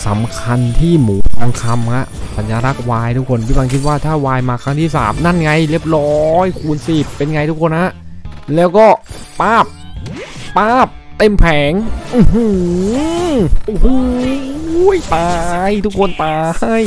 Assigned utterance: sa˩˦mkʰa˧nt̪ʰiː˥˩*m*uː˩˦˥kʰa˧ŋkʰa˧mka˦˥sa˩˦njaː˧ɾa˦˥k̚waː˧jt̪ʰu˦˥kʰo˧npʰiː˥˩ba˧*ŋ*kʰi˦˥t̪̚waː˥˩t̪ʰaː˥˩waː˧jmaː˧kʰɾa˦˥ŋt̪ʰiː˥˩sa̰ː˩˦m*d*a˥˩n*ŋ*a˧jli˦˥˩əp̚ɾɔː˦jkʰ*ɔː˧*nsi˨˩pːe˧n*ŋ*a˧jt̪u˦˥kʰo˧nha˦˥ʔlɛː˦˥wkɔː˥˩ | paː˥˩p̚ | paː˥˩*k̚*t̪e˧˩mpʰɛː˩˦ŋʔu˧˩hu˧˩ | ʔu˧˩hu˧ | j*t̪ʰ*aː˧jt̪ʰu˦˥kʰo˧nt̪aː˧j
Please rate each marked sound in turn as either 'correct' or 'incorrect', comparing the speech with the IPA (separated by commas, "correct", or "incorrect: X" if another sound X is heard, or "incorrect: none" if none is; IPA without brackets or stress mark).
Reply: correct, correct, incorrect: n, correct, incorrect: uː˧, correct, incorrect: p̚, incorrect: t̪